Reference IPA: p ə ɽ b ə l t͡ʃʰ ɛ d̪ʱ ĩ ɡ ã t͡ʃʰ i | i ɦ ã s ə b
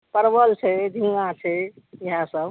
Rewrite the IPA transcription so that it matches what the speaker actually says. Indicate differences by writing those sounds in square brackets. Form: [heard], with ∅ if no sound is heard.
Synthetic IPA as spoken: p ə [ɾ] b ə l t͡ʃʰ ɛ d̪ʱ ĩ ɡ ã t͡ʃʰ [ɛ] | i ɦ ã s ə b